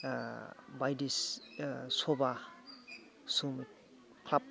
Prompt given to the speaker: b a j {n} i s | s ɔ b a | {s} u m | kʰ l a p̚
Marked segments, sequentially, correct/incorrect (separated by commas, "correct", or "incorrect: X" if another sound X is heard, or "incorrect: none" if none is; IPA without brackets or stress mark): incorrect: d, correct